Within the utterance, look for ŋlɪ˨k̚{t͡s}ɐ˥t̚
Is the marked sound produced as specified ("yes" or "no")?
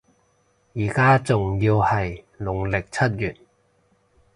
no